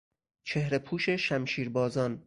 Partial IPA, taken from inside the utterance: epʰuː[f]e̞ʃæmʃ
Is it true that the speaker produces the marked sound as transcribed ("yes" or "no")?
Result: no